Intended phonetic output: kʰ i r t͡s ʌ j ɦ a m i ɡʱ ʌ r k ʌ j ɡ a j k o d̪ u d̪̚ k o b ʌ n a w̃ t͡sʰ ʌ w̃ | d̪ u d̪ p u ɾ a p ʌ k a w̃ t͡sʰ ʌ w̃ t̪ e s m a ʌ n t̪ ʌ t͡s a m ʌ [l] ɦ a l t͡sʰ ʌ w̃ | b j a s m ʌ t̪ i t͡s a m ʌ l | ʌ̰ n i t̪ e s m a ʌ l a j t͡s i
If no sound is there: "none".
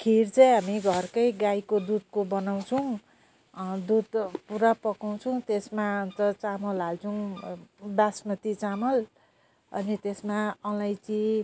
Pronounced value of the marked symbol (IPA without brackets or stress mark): l